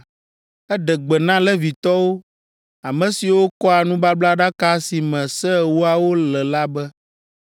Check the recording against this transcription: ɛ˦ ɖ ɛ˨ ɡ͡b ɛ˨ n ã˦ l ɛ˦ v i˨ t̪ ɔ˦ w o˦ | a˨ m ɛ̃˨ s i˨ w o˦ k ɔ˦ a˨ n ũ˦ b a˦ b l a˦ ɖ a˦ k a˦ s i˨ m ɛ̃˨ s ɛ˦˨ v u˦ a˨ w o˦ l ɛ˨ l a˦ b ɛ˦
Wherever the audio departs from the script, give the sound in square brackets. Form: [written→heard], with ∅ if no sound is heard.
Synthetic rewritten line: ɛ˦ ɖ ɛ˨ ɡ͡b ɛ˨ n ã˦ l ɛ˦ v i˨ t̪ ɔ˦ w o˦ | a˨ m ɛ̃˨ s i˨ w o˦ k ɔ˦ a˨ n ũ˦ b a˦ b l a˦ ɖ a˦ k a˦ s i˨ m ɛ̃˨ s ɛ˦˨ [v→w] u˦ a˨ w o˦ l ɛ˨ l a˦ b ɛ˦